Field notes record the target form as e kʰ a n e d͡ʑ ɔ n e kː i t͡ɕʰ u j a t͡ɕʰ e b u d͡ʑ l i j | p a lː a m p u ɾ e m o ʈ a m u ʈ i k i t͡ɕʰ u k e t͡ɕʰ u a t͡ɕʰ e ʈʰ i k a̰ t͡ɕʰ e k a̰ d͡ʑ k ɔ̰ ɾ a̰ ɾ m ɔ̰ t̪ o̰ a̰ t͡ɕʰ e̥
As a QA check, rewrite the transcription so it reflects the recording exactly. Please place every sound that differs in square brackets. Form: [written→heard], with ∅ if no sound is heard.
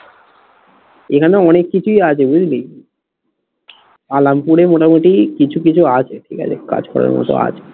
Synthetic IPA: e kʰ a n e [d͡ʑ→∅] ɔ n e kː i t͡ɕʰ u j a t͡ɕʰ e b u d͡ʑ l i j | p a [lː→l] a m p u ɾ e m o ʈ a m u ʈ i k i t͡ɕʰ u k [e→i] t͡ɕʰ u a t͡ɕʰ e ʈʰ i k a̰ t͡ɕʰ e k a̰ d͡ʑ k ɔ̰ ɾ a̰ ɾ m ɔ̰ t̪ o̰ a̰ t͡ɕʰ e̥

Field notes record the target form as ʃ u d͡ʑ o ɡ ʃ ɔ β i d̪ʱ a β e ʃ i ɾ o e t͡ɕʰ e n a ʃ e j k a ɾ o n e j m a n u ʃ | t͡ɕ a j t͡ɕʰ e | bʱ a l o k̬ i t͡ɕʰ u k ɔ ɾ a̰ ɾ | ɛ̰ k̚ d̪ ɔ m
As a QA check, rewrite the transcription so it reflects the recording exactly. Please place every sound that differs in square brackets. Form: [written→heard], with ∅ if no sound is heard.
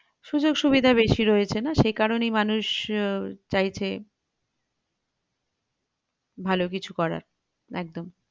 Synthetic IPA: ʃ u d͡ʑ o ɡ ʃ [ɔ→u] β i d̪ʱ a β e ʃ i ɾ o e t͡ɕʰ e n a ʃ e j k a ɾ o n e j m a n u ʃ | t͡ɕ a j t͡ɕʰ e | bʱ a l o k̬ i t͡ɕʰ u k ɔ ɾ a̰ ɾ | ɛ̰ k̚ d̪ [ɔ→o] m

